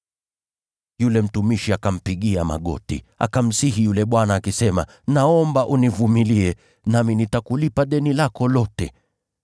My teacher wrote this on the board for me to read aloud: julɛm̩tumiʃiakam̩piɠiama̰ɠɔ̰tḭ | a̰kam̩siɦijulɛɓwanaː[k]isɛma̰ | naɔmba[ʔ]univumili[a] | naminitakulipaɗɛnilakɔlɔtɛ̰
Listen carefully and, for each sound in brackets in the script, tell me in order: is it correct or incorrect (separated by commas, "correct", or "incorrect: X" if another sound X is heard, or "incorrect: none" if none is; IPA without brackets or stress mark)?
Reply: correct, correct, incorrect: ɛ